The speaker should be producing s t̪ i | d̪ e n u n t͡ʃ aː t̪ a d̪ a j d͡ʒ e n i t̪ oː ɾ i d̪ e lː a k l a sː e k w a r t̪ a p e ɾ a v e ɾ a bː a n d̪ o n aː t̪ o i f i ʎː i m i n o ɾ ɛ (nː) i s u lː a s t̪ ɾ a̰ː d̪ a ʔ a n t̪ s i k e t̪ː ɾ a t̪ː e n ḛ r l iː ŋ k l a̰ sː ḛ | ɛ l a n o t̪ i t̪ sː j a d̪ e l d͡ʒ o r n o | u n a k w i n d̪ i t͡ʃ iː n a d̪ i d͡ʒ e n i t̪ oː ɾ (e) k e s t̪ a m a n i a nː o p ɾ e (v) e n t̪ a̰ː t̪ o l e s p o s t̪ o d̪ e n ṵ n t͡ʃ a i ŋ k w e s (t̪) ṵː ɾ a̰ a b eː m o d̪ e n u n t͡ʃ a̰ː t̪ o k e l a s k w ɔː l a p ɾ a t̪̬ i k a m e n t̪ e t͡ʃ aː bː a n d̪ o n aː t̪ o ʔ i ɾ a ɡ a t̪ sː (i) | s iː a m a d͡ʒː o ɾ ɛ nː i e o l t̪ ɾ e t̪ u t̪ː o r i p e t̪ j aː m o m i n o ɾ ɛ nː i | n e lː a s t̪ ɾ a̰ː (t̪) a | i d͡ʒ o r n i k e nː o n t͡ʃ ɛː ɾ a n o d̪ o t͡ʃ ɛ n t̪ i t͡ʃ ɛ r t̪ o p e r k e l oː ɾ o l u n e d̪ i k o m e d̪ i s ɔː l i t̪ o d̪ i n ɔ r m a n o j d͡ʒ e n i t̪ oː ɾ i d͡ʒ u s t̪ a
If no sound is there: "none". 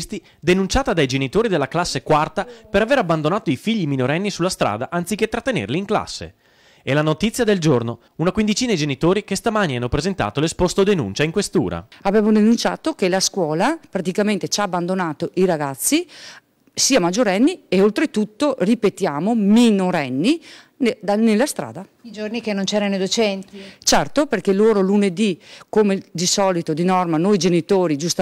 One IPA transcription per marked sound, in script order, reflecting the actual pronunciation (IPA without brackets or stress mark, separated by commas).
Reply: nː, i, z, t̪, i, d̪